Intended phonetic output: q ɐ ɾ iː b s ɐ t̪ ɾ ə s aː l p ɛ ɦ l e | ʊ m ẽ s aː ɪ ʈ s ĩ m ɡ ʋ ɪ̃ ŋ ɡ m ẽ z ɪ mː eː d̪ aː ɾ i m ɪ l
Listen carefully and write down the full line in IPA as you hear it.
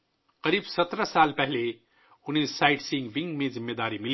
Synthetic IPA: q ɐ ɾ iː b s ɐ t̪ ɾ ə s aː l p ɛ ɦ l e | ʊ n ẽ s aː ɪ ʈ s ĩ ŋ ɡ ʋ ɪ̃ ŋ ɡ m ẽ z ɪ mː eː d̪ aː ɾ i m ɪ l